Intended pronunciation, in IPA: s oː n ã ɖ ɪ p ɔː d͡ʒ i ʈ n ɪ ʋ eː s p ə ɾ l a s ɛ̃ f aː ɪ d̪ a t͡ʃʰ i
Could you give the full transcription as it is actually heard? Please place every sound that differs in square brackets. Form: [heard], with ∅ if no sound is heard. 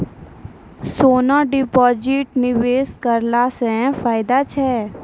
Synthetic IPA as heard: s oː n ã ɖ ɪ p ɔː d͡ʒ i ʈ n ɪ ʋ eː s [k] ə ɾ l a s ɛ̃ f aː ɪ d̪ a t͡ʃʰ [ɛ]